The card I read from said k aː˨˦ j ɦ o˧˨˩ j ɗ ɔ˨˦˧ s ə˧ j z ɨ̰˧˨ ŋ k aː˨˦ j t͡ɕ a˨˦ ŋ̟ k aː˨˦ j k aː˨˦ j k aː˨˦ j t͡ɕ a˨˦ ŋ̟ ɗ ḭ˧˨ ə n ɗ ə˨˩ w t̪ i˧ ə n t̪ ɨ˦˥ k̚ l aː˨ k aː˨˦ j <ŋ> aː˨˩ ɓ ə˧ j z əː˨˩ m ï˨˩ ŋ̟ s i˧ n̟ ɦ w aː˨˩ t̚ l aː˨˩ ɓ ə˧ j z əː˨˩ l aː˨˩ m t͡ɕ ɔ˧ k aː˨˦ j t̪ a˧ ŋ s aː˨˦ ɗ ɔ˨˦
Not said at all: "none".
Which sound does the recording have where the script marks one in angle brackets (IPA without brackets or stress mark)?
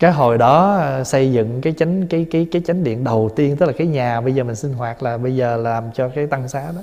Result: ɲ